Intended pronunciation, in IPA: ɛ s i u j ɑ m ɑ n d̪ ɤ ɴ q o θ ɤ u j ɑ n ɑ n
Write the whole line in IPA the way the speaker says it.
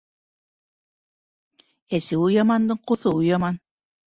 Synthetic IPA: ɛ s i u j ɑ m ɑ n d̪ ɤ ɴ q o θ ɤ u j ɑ m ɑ n